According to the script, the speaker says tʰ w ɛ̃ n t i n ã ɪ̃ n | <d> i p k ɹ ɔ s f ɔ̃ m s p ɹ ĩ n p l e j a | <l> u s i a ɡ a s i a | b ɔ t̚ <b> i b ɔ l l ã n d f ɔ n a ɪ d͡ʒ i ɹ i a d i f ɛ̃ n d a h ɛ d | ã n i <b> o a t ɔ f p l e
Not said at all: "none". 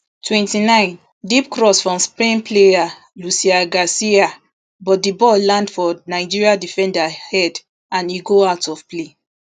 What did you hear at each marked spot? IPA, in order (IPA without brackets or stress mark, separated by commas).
d, l, d, ɡ